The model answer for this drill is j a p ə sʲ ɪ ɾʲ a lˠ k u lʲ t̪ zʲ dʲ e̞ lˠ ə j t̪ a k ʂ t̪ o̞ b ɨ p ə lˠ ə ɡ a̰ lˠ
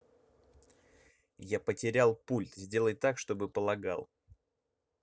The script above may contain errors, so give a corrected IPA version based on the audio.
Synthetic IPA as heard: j a p ə tʲ ɪ ɾʲ a lˠ p u lʲ t̪ zʲ dʲ e̞ lˠ ə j t̪ a k ʂ t̪ o̞ b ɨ p ə lˠ ɐ ɡ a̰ lˠ